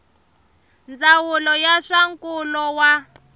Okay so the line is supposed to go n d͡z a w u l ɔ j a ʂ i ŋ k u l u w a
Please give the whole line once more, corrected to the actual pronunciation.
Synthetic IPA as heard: n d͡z a w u l ɔ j a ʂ a ŋ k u l ɔ w a